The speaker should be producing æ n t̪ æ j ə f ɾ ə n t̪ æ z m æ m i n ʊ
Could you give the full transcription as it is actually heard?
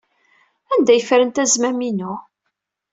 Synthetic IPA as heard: æ n d̪ æ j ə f ɾ ə n t̪ æ z m æ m i n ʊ